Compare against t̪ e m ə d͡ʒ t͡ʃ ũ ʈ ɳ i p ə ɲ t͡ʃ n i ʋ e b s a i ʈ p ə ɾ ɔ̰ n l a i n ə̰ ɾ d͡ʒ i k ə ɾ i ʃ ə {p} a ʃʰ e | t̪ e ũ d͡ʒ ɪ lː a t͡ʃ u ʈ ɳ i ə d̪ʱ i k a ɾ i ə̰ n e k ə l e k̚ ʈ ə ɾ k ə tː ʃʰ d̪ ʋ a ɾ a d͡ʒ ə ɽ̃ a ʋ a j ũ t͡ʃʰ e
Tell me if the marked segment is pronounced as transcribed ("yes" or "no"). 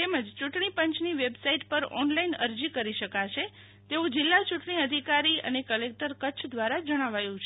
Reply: no